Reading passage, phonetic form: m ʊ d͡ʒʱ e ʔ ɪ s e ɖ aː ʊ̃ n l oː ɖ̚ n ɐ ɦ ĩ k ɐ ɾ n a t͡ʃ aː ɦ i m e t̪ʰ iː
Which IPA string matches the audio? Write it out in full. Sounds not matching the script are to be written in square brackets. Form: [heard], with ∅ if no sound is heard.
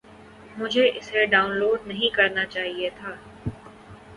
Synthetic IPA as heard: m ʊ d͡ʒʱ e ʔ ɪ s e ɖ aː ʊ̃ n l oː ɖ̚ n ɐ ɦ ĩ k ɐ ɾ n a t͡ʃ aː ɦ i [∅] e t̪ʰ [aː]